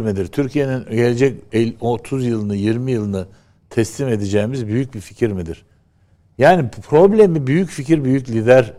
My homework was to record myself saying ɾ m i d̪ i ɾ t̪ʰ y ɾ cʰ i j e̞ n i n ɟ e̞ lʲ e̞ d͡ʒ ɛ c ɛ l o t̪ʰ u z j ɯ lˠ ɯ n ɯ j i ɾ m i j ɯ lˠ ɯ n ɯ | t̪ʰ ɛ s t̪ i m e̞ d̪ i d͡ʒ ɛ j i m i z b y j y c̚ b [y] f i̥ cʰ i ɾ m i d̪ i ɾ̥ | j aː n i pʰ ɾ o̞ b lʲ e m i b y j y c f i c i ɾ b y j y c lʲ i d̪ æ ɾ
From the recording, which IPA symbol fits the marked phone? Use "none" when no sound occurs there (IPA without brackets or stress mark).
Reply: i